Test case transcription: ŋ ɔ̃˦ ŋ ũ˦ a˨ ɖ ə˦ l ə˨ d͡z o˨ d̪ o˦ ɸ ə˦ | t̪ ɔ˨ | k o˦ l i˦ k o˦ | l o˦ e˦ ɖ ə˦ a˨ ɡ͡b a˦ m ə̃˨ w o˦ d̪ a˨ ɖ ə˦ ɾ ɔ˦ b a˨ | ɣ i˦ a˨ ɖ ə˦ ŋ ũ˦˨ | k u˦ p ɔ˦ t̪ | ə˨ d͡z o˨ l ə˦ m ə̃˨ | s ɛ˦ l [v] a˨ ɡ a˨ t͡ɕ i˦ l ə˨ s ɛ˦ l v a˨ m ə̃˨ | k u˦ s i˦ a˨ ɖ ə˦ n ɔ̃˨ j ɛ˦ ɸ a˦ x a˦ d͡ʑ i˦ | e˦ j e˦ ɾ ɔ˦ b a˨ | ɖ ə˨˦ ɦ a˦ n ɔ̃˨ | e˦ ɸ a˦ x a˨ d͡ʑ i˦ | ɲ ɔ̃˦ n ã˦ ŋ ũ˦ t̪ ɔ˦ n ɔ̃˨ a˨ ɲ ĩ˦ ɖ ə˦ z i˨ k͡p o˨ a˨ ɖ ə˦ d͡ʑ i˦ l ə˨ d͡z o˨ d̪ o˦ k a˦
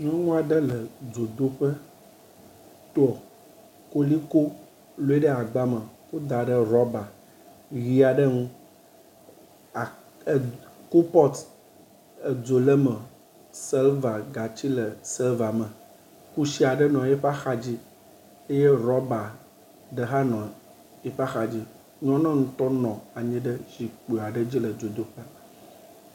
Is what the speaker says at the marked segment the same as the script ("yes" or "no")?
yes